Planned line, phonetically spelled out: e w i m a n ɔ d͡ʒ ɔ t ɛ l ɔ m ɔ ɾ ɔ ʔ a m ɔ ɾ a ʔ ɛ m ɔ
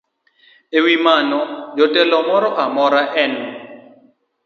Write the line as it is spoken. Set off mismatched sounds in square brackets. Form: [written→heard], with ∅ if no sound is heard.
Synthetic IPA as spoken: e w i m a n ɔ d͡ʒ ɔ t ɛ l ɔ m ɔ ɾ ɔ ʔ a m ɔ ɾ a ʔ ɛ [m→n] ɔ